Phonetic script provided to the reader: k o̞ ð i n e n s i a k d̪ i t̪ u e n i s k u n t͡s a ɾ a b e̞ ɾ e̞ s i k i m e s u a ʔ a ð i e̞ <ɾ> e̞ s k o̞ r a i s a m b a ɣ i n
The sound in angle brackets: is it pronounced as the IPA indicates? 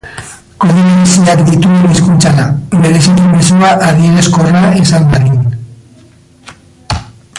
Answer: yes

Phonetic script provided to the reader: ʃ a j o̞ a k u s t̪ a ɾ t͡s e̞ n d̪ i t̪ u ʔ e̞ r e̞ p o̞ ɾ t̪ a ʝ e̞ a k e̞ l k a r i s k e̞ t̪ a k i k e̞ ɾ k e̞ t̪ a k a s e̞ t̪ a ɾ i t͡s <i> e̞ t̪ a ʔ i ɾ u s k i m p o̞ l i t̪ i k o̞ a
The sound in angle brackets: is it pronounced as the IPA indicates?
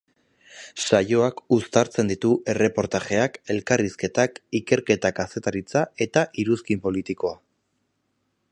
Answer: no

